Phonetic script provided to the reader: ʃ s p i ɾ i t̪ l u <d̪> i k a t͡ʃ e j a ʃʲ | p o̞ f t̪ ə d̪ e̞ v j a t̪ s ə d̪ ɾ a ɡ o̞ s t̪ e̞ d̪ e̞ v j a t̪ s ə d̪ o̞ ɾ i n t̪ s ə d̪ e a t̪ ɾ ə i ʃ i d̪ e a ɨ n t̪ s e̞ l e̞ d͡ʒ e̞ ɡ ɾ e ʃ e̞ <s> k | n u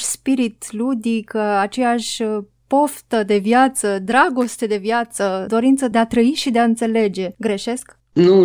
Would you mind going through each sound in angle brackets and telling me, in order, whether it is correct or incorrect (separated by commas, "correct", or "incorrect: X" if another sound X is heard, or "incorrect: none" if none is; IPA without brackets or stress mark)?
correct, correct